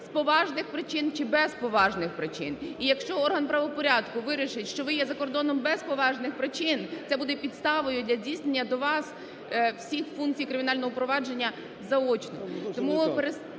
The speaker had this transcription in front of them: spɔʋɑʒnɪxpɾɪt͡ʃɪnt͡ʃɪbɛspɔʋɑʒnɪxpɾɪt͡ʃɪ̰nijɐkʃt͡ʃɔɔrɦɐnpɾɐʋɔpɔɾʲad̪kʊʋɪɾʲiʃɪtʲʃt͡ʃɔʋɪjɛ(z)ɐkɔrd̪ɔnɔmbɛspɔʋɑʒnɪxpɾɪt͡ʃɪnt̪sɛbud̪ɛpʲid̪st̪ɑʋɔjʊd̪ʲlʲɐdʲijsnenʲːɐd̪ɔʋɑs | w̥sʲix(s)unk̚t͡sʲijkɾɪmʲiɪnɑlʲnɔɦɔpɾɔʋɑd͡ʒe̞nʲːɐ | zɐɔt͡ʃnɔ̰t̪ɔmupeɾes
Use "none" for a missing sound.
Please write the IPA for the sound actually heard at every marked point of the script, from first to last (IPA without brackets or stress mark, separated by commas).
z, f